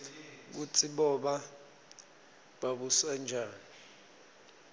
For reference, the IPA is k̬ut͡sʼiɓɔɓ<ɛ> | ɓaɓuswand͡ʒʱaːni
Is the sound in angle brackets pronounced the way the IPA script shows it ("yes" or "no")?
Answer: no